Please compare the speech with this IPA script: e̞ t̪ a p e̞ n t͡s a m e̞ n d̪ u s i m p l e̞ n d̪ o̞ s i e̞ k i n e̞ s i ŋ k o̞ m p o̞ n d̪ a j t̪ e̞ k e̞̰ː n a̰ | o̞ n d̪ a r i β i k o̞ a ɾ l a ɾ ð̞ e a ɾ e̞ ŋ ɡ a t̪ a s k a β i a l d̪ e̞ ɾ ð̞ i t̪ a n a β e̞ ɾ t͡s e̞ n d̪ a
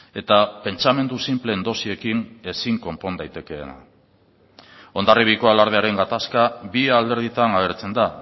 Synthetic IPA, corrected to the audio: e̞ t̪ a p e̞ n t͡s a m e̞ n d̪ u s i m p l e̞ n d̪ o̞ s i e̞ k i n e̞ s i ŋ k o̞ m p o̞ n d̪ a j t̪ e̞ k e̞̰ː n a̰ | o̞ n d̪ a r i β i k o̞ a l a ɾ ð̞ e a ɾ e̞ ŋ ɡ a t̪ a s k a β i a l d̪ e̞ ɾ ð̞ i t̪ a n a β e̞ ɾ t͡s e̞ n d̪ a